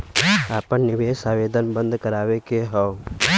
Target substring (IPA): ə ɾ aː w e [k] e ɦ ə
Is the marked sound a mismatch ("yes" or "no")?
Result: no